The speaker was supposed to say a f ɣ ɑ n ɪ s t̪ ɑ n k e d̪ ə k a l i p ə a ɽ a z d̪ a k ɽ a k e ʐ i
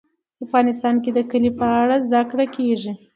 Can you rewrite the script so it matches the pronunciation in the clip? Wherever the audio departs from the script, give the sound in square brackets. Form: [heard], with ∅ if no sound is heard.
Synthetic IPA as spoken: a f ɣ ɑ n ɪ s t̪ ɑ n k e d̪ ə k [ə] l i p ə a ɽ a z d̪ a k ɽ a k e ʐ i